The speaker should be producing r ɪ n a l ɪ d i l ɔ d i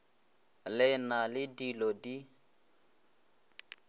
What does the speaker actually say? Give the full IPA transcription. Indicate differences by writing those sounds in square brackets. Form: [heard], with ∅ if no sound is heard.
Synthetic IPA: [l] ɪ n a l ɪ d i l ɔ d i